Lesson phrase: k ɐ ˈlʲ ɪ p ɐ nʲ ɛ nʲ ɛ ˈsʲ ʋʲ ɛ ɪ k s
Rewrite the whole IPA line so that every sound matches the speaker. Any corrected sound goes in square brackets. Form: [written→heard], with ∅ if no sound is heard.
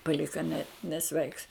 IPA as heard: [k→p] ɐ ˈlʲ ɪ [p→k] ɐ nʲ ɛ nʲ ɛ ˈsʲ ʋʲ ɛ ɪ k s